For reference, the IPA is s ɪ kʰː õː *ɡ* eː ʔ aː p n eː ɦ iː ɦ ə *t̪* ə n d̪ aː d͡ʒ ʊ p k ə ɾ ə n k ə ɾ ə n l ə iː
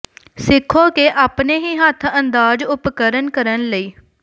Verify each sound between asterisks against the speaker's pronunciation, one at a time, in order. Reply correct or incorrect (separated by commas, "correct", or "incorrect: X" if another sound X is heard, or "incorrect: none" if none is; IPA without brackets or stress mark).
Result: incorrect: k, incorrect: t̪ʰ